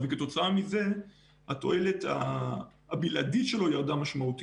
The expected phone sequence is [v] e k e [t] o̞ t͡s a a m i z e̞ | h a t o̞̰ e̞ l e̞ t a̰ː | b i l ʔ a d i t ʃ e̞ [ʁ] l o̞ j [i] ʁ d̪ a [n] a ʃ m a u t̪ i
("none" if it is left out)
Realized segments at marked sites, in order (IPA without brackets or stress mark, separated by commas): v, t, none, a, m